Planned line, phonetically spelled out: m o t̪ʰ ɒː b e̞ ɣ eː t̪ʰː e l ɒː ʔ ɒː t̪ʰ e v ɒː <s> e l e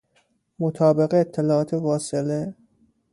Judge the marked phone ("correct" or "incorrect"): correct